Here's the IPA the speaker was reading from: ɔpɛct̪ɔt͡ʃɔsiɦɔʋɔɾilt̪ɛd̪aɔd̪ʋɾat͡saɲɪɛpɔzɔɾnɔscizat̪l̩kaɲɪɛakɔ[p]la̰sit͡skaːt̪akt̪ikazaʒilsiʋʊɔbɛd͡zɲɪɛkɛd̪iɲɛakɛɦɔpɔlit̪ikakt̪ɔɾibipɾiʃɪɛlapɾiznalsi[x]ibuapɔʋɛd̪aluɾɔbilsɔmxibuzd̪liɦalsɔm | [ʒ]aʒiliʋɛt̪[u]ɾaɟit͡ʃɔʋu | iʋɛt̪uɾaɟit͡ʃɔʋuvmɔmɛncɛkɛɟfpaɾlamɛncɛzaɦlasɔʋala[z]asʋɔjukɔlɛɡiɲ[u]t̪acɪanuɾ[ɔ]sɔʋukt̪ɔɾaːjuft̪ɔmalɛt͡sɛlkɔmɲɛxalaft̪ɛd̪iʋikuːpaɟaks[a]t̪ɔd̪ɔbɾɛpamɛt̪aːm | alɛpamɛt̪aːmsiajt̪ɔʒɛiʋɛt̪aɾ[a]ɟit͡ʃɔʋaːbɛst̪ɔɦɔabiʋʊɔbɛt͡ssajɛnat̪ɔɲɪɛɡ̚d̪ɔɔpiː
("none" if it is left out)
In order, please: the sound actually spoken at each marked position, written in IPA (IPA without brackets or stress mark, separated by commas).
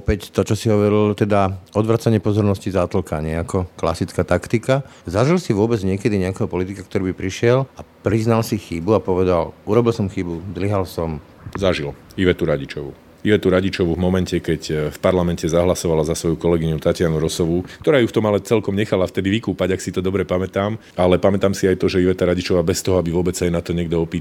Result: k, x, z, u, z, u, ɔ, i, a